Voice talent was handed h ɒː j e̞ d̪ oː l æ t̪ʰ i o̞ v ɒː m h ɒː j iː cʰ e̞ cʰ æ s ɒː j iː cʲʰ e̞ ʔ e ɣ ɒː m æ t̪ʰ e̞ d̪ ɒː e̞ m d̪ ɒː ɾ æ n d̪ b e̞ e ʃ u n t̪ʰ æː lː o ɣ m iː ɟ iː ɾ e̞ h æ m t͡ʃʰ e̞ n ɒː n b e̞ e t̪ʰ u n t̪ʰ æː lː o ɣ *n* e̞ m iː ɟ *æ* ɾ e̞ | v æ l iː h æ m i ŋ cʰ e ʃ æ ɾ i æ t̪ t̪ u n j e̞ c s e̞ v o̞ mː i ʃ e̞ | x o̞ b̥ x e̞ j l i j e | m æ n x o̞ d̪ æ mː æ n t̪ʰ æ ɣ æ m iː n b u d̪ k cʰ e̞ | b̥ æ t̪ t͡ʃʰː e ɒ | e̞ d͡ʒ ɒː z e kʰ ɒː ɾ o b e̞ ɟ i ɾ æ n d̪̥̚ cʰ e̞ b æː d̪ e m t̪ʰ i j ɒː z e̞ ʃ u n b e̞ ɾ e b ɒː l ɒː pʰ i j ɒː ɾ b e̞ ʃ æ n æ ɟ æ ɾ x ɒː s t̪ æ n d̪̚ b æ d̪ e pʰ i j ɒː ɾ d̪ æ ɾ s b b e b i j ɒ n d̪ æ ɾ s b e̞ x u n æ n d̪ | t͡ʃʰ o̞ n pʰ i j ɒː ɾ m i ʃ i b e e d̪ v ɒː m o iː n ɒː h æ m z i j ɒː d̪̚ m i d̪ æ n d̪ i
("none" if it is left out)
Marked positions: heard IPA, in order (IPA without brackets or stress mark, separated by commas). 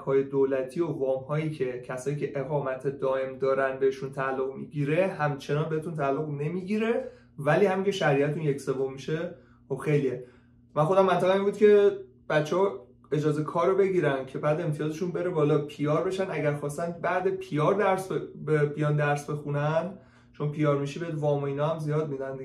n, i